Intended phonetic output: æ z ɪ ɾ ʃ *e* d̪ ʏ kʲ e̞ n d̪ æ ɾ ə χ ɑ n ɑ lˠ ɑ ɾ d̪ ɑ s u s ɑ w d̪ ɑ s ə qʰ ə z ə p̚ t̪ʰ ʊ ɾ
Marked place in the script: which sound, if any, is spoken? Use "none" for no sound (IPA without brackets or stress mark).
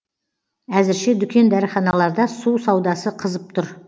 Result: e